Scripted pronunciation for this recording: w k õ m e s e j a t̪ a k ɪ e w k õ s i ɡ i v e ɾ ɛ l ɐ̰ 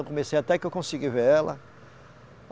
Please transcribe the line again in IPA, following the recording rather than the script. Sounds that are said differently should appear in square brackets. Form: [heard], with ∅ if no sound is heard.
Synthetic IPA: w k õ m e s e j a t̪ [ɛ] k ɪ e w k õ s i ɡ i v e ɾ ɛ l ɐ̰